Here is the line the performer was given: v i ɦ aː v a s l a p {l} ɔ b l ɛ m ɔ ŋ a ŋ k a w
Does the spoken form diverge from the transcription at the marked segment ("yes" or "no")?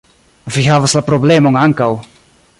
yes